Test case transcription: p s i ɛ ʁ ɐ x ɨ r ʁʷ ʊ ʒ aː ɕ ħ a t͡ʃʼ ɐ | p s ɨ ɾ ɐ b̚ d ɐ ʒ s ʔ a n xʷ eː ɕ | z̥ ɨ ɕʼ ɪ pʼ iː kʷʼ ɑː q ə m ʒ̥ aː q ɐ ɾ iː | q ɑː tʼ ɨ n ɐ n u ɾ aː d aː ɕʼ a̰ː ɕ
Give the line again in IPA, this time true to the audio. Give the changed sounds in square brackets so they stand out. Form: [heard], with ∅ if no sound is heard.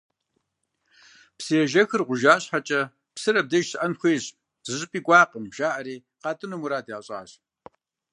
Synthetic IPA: p s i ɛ [ʒ] ɐ x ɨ r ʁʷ ʊ ʒ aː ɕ ħ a t͡ʃʼ ɐ | p s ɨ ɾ ɐ b̚ d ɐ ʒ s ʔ [ɐ] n xʷ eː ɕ | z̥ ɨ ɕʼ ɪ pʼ iː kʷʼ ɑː q ə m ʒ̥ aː [ʔ] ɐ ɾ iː | q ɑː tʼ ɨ n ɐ [m] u ɾ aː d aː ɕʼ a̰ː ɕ